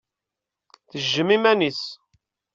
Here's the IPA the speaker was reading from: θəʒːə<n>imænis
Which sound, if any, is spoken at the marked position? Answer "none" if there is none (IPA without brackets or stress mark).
m